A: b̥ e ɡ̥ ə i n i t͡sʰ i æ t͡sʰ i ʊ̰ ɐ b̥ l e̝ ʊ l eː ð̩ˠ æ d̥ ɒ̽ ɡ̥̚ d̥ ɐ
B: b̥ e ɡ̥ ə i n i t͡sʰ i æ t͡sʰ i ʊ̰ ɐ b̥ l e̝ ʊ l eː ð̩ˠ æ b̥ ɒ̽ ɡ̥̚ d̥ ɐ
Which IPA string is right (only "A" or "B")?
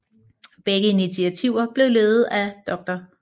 A